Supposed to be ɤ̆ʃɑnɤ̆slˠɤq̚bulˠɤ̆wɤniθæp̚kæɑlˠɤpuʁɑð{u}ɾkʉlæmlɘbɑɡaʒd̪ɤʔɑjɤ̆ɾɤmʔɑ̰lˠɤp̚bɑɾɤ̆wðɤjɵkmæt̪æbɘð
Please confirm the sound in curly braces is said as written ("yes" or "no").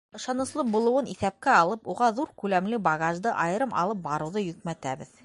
yes